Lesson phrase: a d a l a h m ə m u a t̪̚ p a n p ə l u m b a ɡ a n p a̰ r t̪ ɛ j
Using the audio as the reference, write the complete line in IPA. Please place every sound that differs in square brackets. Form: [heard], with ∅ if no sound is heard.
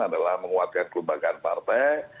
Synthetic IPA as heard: a d a l a h m ə [ŋ] u a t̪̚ [k] a n [k] ə l u m b a ɡ a n p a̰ r t̪ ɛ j